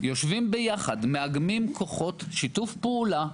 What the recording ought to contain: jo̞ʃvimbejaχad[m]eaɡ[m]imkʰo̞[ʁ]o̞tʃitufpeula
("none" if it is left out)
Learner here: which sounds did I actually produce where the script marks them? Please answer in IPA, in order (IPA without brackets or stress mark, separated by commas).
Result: m, m, χ